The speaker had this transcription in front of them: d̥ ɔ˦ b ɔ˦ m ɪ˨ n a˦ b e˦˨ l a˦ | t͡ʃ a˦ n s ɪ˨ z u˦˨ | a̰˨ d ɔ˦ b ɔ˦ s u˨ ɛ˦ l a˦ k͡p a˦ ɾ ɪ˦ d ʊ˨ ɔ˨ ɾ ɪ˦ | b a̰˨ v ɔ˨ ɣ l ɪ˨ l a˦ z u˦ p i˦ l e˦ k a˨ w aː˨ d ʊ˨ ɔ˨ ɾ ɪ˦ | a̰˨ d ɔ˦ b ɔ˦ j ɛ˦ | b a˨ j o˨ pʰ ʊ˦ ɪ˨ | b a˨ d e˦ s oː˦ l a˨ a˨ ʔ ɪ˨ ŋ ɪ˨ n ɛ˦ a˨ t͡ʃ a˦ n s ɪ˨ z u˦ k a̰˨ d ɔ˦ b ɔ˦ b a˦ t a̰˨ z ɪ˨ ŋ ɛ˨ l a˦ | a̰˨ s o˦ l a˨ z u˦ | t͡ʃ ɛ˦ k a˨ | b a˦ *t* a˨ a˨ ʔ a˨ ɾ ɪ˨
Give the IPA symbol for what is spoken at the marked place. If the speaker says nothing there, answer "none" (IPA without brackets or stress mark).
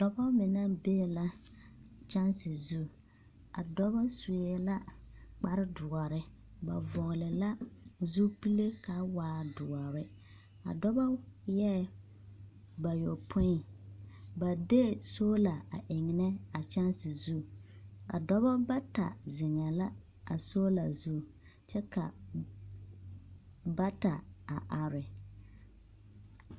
t